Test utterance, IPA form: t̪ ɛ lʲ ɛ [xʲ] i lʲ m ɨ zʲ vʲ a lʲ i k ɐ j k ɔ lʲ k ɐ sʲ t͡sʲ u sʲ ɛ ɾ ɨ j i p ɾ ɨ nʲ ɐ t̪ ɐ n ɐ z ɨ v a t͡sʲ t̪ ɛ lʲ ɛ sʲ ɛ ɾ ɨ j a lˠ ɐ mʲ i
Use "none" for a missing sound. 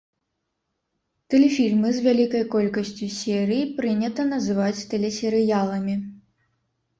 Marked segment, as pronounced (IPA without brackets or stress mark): fʲ